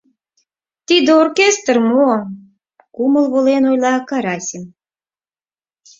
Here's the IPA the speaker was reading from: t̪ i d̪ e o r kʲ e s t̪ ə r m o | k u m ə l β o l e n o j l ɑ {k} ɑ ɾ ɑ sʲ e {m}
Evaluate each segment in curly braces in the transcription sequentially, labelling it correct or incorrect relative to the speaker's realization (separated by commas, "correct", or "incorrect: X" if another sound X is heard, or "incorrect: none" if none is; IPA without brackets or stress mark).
correct, correct